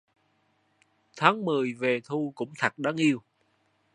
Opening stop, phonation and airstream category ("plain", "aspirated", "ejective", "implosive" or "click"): aspirated